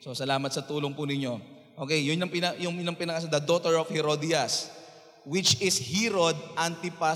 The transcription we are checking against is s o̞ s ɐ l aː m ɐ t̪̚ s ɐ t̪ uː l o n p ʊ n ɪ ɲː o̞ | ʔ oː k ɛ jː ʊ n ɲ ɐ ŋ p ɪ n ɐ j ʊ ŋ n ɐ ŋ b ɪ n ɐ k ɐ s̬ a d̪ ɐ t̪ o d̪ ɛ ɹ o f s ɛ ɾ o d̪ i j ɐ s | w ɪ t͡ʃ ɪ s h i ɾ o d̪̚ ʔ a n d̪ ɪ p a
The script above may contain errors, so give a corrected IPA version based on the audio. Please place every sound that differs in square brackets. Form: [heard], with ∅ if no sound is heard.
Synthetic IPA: s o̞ s ɐ l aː m ɐ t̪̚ s ɐ t̪ uː l o [ŋ] p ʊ n ɪ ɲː o̞ | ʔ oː k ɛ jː ʊ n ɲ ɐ ŋ p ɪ n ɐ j ʊ ŋ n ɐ ŋ [p] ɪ n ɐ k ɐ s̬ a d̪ ɐ [d̪] o [t̪] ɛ ɹ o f [h] ɛ ɾ o d̪ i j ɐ s | w ɪ t͡ʃ ɪ s h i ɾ o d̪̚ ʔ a n [t̪] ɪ p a